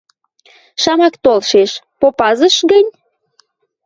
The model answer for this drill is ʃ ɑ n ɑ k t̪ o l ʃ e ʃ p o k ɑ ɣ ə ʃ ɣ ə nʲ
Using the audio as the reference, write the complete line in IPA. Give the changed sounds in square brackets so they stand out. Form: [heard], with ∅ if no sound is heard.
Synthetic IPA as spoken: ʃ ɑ [m] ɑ k t̪ o l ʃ e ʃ p o [p] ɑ [z] ə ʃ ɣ ə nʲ